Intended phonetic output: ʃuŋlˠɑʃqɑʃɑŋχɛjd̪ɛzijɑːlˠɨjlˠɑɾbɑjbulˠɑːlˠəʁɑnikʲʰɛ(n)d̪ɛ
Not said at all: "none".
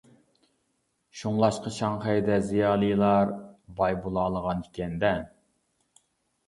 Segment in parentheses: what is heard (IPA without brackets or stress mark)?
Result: n